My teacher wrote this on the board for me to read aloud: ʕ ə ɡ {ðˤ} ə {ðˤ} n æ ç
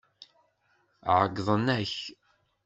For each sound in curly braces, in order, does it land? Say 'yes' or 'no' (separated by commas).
yes, no